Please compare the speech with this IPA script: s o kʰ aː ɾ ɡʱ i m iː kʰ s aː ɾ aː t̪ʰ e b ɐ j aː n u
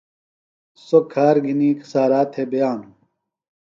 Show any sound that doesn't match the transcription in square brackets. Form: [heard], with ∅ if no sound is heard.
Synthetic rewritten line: s o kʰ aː ɾ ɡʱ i [n] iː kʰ s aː ɾ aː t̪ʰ e b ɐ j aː n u